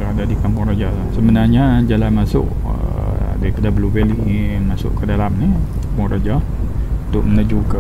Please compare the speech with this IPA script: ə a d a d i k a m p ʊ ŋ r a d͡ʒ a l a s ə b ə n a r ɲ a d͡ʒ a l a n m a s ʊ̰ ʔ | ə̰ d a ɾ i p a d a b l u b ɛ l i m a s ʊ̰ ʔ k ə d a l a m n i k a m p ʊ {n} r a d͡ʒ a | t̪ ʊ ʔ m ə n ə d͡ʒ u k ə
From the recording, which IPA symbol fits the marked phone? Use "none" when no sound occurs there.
ŋ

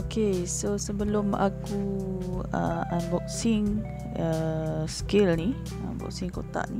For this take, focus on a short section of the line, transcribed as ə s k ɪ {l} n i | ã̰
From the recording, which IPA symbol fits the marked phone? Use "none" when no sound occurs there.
l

